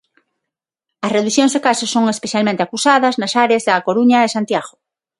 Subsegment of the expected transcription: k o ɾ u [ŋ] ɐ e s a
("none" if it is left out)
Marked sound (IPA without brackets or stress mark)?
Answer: ɲ